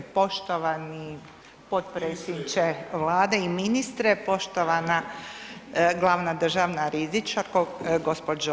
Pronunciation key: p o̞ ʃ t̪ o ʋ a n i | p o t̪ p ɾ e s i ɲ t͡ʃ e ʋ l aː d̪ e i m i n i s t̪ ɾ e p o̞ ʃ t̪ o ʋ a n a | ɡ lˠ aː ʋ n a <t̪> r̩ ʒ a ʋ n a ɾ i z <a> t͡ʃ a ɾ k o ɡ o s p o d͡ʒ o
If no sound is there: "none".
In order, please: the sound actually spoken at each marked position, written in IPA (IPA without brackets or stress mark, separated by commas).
d̪, i